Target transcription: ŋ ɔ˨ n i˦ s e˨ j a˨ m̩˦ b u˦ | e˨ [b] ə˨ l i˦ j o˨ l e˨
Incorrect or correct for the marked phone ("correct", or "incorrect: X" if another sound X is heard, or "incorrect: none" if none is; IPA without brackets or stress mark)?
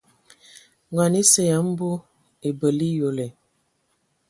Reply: correct